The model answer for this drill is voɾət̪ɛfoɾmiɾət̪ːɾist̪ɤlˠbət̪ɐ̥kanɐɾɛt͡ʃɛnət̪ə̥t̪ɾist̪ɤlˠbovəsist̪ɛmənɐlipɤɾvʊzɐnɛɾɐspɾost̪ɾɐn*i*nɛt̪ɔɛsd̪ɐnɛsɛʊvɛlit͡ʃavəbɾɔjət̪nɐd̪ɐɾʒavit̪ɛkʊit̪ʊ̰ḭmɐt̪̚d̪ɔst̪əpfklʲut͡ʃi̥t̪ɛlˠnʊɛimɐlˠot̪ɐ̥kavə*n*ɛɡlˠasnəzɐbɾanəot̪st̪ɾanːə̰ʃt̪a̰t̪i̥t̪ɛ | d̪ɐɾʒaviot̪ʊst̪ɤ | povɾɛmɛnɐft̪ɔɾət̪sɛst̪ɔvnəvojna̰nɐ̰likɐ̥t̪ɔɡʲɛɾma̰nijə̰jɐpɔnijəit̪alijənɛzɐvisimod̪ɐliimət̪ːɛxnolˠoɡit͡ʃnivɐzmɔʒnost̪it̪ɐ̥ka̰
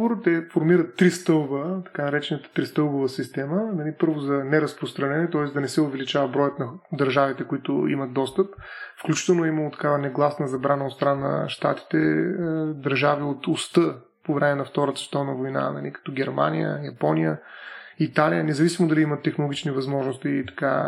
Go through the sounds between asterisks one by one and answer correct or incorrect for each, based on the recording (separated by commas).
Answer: incorrect, correct